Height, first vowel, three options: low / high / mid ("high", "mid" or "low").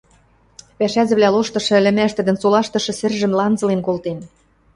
low